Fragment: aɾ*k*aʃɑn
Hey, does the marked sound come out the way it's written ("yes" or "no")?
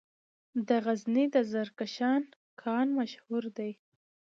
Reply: yes